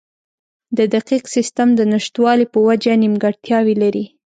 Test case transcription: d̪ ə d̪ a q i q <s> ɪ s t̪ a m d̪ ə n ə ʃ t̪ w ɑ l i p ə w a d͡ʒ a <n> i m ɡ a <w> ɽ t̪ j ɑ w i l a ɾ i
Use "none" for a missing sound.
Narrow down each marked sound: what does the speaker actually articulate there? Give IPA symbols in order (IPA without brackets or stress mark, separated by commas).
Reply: s, n, none